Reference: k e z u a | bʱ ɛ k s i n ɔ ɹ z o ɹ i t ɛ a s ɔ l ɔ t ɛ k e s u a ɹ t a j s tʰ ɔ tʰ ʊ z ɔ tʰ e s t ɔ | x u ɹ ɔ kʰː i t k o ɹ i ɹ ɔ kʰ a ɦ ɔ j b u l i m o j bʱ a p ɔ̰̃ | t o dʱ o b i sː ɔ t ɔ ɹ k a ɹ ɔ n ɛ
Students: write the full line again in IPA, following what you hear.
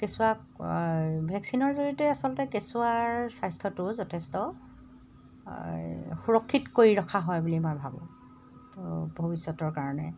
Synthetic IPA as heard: k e s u a | bʱ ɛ k s i n ɔ ɹ z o ɹ i t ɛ a s ɔ l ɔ t ɛ k e s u a ɹ s a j s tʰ ɔ t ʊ z ɔ tʰ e s t ɔ | x u ɹ ɔ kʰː i t k o ɹ i ɹ ɔ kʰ a ɦ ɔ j b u l i m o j bʱ a b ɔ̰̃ | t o bʱ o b i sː ɔ t ɔ ɹ k a ɹ ɔ n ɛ